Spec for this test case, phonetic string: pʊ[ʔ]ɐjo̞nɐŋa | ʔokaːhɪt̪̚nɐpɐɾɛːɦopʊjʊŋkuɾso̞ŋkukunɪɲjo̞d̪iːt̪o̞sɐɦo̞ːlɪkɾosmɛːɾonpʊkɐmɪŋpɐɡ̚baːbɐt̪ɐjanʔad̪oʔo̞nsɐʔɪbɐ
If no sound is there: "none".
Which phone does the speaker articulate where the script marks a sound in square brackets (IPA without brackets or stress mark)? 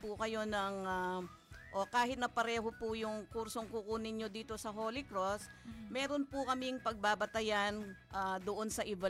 k